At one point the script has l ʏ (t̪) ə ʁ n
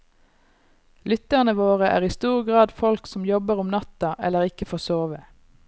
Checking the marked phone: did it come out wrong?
no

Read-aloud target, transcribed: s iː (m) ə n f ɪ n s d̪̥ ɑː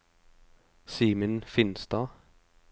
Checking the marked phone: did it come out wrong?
no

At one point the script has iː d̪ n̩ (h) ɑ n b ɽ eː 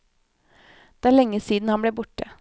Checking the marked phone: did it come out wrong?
no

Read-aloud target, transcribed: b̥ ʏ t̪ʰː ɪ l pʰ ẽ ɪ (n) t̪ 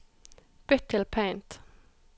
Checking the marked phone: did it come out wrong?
no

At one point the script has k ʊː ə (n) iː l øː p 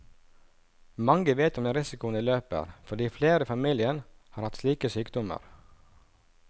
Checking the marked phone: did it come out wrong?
no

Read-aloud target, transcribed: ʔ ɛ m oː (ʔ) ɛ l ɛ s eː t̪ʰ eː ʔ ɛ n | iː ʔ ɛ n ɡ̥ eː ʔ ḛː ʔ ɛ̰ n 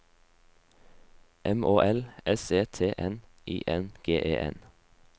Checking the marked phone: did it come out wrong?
no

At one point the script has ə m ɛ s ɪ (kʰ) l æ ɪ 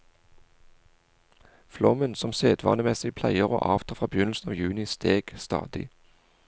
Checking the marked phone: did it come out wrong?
yes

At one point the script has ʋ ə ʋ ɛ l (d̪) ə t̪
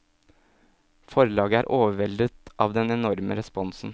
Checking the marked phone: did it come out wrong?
no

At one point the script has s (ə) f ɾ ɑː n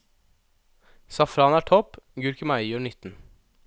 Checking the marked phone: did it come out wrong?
yes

